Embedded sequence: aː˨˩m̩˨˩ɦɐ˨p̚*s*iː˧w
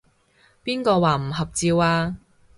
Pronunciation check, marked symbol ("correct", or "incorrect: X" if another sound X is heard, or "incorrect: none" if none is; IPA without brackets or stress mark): incorrect: t͡s